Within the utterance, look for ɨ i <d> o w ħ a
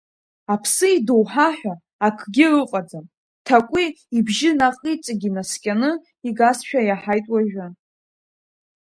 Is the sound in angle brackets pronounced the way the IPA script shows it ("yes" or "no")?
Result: yes